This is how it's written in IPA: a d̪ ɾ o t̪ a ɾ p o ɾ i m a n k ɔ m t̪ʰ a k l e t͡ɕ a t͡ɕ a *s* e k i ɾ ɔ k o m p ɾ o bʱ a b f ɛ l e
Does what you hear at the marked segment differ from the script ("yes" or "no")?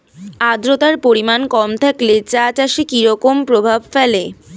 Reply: yes